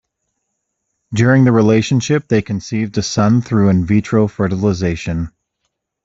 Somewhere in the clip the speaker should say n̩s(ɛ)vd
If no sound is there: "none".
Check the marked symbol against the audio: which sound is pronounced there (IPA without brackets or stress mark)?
i